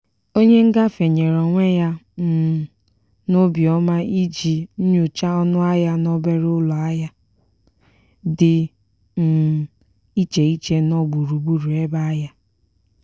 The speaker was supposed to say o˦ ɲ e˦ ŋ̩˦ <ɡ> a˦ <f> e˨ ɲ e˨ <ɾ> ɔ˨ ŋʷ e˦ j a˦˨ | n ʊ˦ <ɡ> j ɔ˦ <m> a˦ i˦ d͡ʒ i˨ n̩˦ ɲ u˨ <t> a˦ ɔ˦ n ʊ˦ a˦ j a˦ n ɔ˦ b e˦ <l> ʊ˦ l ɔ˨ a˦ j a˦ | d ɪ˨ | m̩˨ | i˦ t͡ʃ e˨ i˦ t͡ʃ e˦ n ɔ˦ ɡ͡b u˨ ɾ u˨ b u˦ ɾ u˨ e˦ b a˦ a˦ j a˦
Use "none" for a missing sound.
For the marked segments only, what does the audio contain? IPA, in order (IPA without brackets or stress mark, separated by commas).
ɡ, f, ɾ, b, m, t͡ʃ, ɾ